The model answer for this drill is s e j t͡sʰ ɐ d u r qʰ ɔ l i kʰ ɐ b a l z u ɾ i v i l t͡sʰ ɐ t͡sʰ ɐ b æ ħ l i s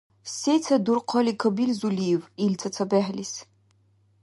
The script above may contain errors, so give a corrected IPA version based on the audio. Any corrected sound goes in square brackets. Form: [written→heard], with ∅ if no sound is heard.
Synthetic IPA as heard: s e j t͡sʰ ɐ d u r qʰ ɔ l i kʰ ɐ b [a→i] l z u [ɾ→l] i v i l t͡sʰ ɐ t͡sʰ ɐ b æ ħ l i s